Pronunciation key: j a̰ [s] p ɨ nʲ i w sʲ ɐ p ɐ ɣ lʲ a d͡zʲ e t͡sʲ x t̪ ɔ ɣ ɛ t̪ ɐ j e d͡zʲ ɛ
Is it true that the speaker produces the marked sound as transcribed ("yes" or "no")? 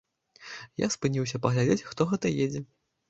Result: yes